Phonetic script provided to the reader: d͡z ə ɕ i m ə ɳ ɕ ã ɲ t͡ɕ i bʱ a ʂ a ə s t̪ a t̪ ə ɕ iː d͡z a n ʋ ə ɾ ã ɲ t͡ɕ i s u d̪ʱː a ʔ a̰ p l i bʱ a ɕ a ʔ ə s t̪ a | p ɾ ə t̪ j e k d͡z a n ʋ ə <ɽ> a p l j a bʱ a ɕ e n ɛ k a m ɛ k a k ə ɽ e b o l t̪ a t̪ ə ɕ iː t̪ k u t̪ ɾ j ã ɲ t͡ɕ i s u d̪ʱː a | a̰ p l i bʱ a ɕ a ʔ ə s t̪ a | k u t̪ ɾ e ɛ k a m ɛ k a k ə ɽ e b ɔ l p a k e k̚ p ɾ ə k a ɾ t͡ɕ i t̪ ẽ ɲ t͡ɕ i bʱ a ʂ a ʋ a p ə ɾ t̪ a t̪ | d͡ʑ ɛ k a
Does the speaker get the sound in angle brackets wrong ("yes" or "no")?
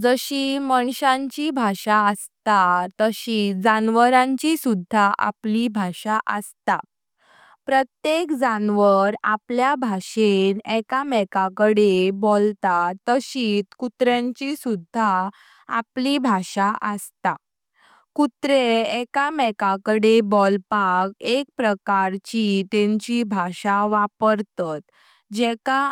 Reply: yes